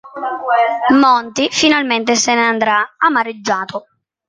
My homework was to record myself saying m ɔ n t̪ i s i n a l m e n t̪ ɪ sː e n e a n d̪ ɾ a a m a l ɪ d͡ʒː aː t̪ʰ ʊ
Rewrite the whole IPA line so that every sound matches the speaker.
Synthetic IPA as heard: m ɔ n t̪ i f i n a l m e n t̪ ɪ s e n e a n d̪ ɾ a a m a ɾ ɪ d͡ʒː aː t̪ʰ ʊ

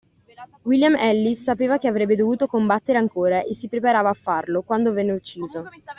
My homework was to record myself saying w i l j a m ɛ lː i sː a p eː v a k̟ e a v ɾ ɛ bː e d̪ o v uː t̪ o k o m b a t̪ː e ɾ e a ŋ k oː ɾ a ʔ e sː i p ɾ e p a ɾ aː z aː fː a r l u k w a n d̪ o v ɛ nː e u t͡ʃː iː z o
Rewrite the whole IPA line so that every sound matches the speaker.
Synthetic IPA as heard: w i l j a m ɛ lː i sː a p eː v a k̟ e a v ɾ ɛ bː e d̪ o v uː t̪ o k o m b a t̪ː e ɾ e a ŋ k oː ɾ a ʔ e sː i p ɾ e p a ɾ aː v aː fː a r l o k w a n d̪ o v ɛ nː e u t͡ʃː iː z o

